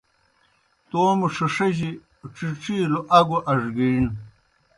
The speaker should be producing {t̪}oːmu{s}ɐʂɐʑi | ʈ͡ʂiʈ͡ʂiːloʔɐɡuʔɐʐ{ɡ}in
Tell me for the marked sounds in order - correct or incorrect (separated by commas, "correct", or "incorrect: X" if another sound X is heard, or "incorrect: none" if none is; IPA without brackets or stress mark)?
correct, incorrect: ʂ, correct